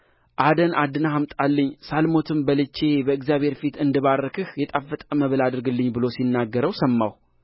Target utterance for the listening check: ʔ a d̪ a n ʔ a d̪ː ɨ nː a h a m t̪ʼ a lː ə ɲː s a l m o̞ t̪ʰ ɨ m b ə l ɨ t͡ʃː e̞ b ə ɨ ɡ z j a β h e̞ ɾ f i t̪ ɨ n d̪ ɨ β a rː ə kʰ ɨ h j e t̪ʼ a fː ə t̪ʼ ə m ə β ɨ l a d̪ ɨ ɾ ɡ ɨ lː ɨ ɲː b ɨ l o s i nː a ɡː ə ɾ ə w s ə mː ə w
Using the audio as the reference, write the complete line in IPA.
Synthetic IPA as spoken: ʔ a d̪ ə n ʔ a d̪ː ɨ n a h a m t̪ʼ a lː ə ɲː s a l m o̞ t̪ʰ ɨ m b ə l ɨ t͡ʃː e̞ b ə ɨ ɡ z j a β h e̞ ɾ f i t̪ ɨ n d̪ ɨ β a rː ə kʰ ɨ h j ɛ t̪ʼ a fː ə t̪ʼ ə m ə β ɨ l a d̪ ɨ ɾ ɡ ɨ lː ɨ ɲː b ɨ l o s i nː a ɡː ə ɾ ə w s ə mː a w

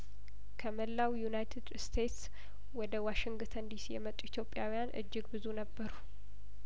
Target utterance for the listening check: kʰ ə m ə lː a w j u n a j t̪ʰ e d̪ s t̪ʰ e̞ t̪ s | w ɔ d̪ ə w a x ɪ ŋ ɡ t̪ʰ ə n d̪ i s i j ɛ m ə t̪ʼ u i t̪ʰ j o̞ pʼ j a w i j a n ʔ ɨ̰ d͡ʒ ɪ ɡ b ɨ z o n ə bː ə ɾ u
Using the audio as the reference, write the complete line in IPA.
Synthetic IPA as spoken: kʰ ə m ə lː a w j u n a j t̪ʰ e d̪ s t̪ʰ e̞ t̪ s | w ɔ d̪ ə w a ʃ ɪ ŋ ɡ t̪ʰ ə n d̪ i s i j ɛ m ə t̪ʼ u i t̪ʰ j o̞ pʼ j a w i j a n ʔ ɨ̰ d͡ʒː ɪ ɡ b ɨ z u n ə bː ə ɾ u

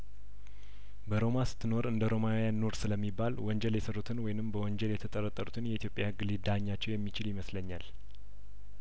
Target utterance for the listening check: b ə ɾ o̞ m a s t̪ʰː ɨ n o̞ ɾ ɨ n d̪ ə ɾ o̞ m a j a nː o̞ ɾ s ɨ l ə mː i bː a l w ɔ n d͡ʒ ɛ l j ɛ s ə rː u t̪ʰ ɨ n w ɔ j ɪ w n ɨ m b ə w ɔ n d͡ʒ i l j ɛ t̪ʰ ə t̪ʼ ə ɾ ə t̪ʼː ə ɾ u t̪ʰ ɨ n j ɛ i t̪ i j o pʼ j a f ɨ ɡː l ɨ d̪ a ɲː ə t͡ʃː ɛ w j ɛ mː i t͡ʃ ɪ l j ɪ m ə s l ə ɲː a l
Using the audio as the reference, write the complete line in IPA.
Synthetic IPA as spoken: b ə ɾ o̞ m a s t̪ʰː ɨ n o̞ ɾ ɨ n d̪ ə ɾ o̞ m a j a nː o̞ ɾ s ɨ l ə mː i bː a l w ɔ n d͡ʒ ɛ l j ɛ s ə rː u t̪ʰ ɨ n w ɔ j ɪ n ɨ m b ə w ɔ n d͡ʒ ɛ l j ɛ t̪ʰ ə t̪ʼ ə ɾ ə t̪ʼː ə ɾ u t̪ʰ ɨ n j ɛ i t̪ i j o pʼ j a h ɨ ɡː l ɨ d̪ a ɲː a t͡ʃː ɛ w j ɛ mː i t͡ʃ ɪ l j ɪ m ə s l ə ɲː a l

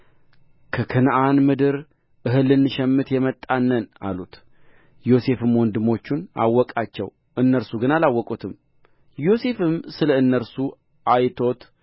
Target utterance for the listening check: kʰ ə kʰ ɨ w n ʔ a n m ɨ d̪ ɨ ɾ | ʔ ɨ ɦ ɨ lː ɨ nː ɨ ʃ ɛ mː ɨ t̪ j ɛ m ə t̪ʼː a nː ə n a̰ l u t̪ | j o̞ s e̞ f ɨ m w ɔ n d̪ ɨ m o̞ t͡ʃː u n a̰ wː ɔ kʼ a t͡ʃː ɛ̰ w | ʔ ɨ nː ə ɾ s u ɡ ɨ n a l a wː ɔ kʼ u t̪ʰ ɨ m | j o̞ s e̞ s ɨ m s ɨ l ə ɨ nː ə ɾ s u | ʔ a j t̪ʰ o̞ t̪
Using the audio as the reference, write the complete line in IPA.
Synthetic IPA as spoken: kʰ ə kʰ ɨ n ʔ a n m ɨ d̪ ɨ ɾ | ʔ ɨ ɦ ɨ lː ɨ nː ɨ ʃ ɛ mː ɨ t̪ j ɛ m ə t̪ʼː a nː ə n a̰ l u t̪ | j o̞ s e̞ f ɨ m w ɔ n d̪ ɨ m o̞ t͡ʃː u n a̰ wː ɔ kʼ a t͡ʃː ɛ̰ w | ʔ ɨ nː ə ɾ s u ɡ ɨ n a l a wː ɔ kʼ u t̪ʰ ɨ m | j o̞ s e̞ f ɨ m s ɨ l ə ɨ nː ə ɾ s u | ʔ a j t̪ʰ o̞ t̪

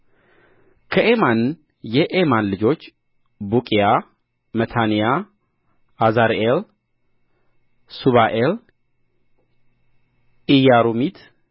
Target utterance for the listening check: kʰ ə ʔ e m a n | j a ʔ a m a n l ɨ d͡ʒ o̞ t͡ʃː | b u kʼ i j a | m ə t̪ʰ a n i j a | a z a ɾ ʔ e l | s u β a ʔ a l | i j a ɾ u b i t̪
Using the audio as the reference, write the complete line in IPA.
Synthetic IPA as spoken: kʰ ə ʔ e m a n | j ɛ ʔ e m a n l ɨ d͡ʒ o̞ t͡ʃː | b u kʼ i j a | m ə t̪ʰ a n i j a | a z a ɾ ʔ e l | s u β a ʔ e l | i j a ɾ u m i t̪

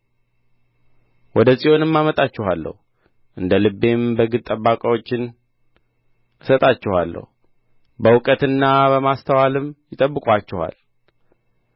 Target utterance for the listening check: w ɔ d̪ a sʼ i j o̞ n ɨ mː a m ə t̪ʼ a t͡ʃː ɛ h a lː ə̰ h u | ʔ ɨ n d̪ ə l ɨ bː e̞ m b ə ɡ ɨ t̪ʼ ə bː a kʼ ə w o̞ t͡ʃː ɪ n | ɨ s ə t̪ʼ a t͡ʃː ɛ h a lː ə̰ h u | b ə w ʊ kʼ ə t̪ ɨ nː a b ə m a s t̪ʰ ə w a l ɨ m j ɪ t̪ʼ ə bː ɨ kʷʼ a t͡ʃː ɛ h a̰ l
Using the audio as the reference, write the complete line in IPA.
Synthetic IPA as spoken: w ɔ d̪ ə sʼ i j o̞ n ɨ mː a m ə t̪ʼ a t͡ʃː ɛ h a lː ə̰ h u | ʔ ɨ n d̪ ə l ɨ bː e̞ m b ə ɡ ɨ t̪ʼ ə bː a kʼ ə w o̞ t͡ʃː ɪ n | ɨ s ə t̪ʼ a t͡ʃː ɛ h a lː ə̰ h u | b ə w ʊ kʼ ə t̪ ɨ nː a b ə m a s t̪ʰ ə w a l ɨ m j ɪ t̪ʼ ə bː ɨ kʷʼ a t͡ʃː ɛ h a̰ l

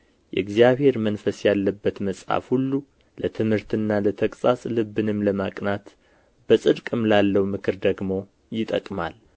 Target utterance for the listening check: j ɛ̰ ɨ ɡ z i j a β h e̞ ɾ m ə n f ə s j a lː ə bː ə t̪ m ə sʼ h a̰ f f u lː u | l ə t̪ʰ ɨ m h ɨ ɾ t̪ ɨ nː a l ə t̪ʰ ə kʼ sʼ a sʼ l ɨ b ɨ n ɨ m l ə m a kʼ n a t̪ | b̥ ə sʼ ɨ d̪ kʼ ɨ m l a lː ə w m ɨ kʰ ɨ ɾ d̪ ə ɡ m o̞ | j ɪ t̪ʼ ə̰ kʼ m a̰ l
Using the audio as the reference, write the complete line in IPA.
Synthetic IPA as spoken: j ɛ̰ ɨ ɡ z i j a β h e̞ ɾ m ə n f ə s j a lː ə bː ə t̪ m ə sʼ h a̰ f h u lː u | l ə t̪ʰ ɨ m h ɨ ɾ t̪ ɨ nː a l ə t̪ʰ ə kʼ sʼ a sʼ l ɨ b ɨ n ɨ m l ə m a kʼ n a t̪ | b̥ ə sʼ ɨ d̪ kʼ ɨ m l a lː ə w m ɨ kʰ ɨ ɾ d̪ ə ɡ m o̞ | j ɪ t̪ʼ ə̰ kʼ m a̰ l

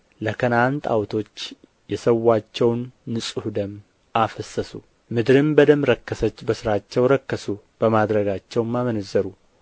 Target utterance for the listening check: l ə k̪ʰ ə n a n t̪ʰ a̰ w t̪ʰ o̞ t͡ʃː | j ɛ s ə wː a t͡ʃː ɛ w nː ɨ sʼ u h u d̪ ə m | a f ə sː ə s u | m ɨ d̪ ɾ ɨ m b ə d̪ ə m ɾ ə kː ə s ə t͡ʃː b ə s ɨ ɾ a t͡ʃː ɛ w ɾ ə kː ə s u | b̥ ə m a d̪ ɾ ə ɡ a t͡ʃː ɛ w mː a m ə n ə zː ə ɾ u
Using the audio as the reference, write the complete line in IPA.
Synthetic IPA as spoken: l ə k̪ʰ ə n a n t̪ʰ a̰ w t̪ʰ o̞ t͡ʃː | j ɛ s ə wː a t͡ʃː ɛ w nː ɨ sʼ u h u d̪ ə m | a f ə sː ə s u | m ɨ d̪ ɾ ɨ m b ə d̪ ə m ɾ ə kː ə s ə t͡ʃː b ə s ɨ ɾ a t͡ʃː ɛ w ɾ ə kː ə s u | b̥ ə m a d̪ ɾ ə ɡ a t͡ʃː ɛ w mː a m ə n ə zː ə ɾ u

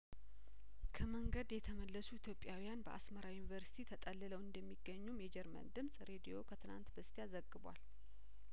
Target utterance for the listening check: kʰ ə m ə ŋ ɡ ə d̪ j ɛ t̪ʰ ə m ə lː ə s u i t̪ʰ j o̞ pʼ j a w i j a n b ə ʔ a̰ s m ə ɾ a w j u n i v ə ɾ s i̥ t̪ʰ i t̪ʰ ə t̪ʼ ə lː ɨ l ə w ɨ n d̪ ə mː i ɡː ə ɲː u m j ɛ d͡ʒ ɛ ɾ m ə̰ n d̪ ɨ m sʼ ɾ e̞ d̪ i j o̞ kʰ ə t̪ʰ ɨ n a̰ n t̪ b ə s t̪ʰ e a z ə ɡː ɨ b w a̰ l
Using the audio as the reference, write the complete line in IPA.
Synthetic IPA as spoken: kʰ ə m ə ŋ ɡ ə d̪ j ɛ t̪ʰ ə m ə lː ə s u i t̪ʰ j o̞ pʼ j a w i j a n b ə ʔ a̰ s m ə ɾ a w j u n i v ə ɾ s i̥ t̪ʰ i t̪ʰ ə t̪ʼ ə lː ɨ l ə w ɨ n d̪ ə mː i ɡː ə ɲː u m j ɛ d͡ʒ ɛ ɾ m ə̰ n d̪ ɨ m sʼ ɾ e̞ d̪ i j o̞ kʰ ə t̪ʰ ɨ n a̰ n t̪ b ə s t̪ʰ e a z ə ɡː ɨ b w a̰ l

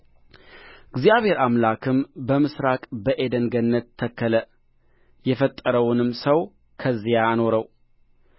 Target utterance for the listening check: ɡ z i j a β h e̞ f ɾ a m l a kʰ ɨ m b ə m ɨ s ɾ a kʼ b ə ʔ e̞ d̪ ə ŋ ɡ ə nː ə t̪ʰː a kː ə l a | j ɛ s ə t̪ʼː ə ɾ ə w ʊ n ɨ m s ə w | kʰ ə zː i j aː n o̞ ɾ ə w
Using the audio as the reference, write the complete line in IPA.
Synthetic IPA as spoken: ɡ z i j a β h e̞ ɾ a m l a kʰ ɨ m b ə m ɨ s ɾ a kʼ b ə ʔ e̞ d̪ ə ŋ ɡ ə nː ə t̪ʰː ə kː ə l ə | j ɛ f ə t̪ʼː ə ɾ ə w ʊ n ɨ m s ə w | kʰ ə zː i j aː n o̞ ɾ ə w

